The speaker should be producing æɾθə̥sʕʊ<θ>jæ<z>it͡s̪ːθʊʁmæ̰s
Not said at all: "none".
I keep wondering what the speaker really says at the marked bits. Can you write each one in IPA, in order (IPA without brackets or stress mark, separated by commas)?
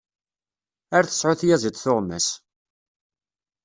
θ, z